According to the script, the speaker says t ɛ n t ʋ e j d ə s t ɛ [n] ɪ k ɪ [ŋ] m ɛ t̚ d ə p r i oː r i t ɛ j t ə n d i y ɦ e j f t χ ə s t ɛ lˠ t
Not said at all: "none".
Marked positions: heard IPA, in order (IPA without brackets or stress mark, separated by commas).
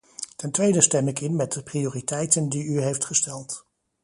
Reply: m, n